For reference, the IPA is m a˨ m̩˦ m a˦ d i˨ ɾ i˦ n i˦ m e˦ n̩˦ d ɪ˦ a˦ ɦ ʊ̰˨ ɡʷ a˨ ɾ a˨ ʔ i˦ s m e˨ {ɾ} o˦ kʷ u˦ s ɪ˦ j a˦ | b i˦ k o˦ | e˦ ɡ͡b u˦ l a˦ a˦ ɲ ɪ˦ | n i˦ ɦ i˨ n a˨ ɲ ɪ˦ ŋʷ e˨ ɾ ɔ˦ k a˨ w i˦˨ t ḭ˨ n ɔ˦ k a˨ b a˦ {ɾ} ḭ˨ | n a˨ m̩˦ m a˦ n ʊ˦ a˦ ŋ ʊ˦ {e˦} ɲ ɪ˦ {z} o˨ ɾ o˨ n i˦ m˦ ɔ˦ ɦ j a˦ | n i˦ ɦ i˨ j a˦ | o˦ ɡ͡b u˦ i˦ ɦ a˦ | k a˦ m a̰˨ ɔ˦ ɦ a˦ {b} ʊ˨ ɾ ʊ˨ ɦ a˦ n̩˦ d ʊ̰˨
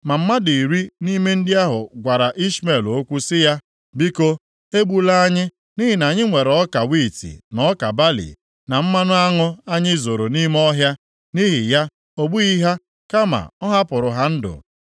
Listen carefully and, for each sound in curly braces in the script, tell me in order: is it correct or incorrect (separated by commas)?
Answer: incorrect, incorrect, incorrect, correct, incorrect